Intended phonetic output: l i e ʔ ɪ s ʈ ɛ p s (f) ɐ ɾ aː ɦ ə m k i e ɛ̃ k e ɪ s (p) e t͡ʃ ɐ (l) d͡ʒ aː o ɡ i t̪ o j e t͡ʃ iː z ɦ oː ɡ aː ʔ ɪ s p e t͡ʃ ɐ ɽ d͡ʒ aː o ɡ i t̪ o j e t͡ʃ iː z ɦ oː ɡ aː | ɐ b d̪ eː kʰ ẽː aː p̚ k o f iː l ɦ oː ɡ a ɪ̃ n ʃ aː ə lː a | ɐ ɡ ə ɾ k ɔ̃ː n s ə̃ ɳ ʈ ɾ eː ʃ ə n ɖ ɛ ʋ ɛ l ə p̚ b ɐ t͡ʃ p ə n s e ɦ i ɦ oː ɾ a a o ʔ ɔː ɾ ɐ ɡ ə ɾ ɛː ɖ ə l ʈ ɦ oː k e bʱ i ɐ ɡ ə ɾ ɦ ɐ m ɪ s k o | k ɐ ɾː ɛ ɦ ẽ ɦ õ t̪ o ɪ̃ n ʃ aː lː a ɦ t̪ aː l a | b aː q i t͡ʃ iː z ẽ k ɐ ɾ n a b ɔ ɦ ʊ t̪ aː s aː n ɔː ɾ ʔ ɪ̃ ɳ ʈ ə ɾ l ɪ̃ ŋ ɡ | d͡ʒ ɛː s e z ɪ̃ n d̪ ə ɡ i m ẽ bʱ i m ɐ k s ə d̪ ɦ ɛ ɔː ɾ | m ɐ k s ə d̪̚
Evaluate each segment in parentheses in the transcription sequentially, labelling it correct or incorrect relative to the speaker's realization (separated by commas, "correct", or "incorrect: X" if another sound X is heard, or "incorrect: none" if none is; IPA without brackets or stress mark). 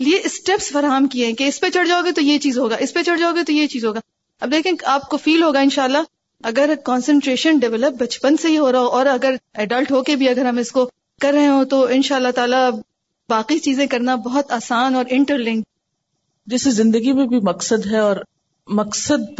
correct, correct, incorrect: ɽ